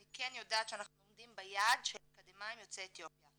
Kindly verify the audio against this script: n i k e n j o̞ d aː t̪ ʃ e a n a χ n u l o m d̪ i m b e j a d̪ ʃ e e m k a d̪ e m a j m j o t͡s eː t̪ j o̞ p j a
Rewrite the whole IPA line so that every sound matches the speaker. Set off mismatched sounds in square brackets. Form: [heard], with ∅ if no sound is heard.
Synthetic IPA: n i k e n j o̞ d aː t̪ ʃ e a n a χ n u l o m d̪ i m b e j a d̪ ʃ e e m k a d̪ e m a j m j o t͡s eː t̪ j o̞ p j a